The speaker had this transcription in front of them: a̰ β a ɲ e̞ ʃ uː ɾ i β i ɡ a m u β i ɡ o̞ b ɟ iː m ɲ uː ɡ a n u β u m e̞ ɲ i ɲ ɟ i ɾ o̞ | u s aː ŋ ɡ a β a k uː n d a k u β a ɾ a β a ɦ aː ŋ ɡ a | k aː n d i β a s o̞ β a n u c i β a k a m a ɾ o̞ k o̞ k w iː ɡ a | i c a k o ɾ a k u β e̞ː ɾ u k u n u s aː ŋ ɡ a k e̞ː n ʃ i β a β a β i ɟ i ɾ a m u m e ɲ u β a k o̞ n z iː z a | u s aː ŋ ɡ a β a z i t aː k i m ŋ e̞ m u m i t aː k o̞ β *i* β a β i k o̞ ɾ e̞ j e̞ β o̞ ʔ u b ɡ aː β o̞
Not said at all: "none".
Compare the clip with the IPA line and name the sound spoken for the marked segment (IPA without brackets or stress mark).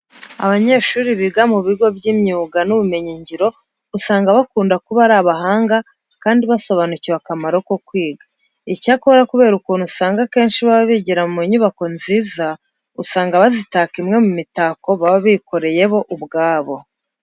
a